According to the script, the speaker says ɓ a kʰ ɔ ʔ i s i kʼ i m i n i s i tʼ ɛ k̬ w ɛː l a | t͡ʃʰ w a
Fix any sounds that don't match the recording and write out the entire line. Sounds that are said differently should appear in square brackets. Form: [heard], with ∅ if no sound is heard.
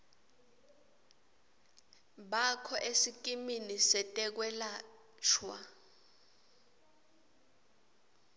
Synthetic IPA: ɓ a kʰ ɔ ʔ [e] s i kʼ i m i n i s [ɛ] tʼ ɛ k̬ w [ɛ] l a | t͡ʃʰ w a

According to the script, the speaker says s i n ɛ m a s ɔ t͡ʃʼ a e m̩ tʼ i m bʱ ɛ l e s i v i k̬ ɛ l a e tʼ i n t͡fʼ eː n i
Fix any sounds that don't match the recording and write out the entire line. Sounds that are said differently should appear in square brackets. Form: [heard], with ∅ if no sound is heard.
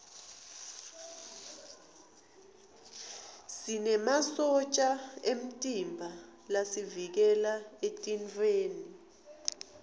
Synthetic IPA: s i n ɛ m a s ɔ t͡ʃʼ a e m̩ tʼ i m bʱ [a] l [a] s i v i k̬ ɛ l a e tʼ i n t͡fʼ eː n i

